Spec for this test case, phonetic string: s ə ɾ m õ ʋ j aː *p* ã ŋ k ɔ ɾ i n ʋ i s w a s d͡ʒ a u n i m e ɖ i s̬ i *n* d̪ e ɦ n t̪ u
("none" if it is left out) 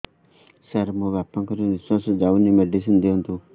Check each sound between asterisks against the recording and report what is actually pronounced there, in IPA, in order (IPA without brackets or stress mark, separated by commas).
p, n